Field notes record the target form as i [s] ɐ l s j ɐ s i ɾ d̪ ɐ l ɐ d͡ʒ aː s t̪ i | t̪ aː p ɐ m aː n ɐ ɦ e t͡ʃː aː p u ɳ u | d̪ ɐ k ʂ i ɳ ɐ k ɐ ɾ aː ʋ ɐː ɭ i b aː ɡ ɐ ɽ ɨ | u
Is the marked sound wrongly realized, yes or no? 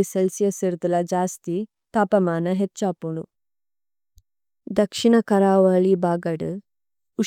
no